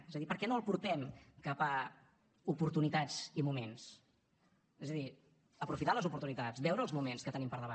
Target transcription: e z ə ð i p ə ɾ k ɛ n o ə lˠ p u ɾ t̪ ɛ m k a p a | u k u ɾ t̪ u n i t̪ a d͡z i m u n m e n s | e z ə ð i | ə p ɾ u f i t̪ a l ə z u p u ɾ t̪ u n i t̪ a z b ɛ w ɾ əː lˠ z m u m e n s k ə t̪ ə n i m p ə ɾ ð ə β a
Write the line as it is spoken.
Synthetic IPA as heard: e z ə ð i p ə ɾ k ɛ n o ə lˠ p u ɾ t̪ ɛ m k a p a | u p u ɾ t̪ u n i t̪ a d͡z i m u m e n s | e z ə ð i | ə p ɾ u f i t̪ a l ə z u p u ɾ t̪ u n i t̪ a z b ɛ w ɾ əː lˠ z m u m e n s k ə t̪ ə n i m p ə ɾ ð ə β a